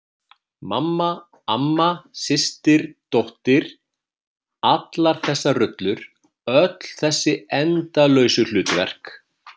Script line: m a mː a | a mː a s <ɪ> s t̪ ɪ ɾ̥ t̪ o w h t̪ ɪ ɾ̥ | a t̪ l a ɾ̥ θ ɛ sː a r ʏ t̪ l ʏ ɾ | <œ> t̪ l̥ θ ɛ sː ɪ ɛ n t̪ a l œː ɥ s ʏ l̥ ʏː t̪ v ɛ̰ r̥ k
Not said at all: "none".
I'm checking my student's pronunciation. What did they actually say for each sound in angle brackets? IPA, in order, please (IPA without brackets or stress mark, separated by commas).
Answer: ɪ, œ